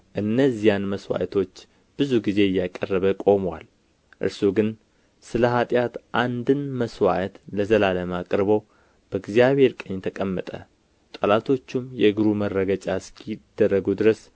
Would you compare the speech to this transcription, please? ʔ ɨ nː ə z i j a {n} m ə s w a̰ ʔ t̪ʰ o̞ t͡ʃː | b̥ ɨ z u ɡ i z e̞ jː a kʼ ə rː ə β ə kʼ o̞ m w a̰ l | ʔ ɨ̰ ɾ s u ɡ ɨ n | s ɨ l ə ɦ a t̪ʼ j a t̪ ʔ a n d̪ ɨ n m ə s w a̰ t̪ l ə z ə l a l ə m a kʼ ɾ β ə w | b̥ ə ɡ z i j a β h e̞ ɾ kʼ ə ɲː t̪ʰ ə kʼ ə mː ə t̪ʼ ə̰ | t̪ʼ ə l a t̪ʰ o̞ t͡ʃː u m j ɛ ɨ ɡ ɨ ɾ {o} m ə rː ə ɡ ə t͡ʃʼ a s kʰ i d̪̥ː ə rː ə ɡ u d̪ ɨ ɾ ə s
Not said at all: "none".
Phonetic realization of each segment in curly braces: n, u

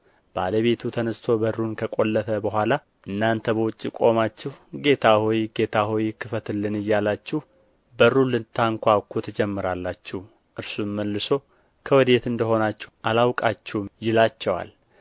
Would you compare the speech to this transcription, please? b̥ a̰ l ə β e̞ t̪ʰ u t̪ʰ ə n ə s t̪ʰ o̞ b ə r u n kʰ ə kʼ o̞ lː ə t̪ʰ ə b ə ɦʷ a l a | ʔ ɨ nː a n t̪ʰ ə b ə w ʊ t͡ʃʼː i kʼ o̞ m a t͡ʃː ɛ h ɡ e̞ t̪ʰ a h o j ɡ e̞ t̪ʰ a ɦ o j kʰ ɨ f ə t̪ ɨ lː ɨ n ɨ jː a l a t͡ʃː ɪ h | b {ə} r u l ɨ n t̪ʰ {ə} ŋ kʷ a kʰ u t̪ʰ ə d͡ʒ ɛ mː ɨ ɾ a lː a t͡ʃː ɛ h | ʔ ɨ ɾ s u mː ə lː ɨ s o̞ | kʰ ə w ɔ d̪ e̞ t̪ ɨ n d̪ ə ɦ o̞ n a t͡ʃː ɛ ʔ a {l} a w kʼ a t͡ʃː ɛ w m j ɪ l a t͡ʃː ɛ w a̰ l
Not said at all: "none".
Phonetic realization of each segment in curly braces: ə, a, l

